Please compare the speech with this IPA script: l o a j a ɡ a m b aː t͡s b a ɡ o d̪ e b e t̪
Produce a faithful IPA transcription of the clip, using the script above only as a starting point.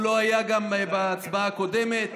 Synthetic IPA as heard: l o a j a ɡ a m b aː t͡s b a k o d̪ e m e t̪